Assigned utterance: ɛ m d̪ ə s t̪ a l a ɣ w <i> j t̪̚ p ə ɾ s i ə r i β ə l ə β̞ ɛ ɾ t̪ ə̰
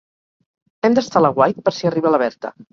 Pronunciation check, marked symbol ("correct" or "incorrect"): incorrect